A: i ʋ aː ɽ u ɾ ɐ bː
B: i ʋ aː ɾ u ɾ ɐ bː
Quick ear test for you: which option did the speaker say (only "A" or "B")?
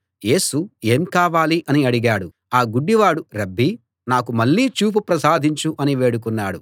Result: A